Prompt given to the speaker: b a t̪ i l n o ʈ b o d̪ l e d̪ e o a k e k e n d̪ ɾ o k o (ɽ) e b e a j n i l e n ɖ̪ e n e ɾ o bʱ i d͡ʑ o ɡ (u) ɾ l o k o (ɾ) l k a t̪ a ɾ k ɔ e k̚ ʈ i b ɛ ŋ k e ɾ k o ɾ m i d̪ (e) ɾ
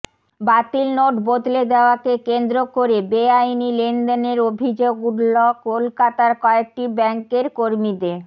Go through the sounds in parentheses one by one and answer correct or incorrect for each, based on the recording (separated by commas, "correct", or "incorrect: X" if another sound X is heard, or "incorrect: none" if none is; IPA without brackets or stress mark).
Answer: incorrect: ɾ, correct, incorrect: none, correct